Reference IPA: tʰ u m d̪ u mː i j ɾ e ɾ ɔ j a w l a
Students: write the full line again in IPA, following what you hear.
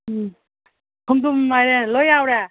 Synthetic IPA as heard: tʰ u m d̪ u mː a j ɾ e l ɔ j a w ɾ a